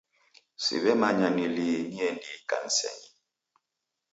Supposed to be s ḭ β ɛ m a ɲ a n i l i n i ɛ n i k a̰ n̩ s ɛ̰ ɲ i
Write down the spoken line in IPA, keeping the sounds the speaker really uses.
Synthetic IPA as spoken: s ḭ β ɛ m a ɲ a n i l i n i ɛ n i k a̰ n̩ s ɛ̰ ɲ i